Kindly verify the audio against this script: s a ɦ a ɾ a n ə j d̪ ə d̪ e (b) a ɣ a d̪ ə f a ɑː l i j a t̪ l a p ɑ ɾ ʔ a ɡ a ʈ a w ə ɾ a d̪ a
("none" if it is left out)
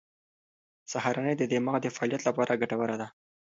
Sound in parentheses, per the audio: m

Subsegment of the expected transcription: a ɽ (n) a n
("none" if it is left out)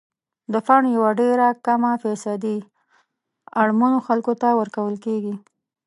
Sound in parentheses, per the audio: m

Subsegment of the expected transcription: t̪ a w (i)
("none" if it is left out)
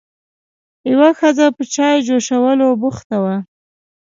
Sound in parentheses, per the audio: a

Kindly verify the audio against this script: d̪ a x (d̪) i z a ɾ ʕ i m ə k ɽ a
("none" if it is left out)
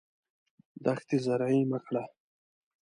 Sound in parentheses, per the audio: t̪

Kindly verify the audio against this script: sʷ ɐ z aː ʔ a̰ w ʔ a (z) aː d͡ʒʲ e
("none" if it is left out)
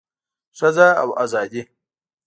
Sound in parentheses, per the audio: z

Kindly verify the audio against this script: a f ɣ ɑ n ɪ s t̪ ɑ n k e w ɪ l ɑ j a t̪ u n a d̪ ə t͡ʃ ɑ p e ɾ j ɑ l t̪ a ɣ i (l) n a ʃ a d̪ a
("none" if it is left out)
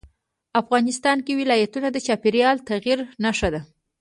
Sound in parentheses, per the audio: ɾ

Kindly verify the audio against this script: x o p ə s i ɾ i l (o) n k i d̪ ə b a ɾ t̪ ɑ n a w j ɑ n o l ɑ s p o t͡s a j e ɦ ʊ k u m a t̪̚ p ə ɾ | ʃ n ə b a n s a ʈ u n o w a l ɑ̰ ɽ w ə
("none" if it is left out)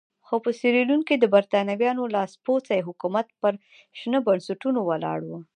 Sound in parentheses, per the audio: u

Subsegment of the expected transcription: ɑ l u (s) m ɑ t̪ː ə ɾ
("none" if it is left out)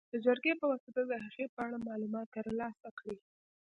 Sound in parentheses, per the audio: none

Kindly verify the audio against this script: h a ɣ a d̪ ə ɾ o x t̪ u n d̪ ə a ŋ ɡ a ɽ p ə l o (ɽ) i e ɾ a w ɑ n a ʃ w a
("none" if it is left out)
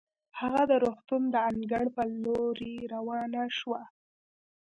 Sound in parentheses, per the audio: ɾ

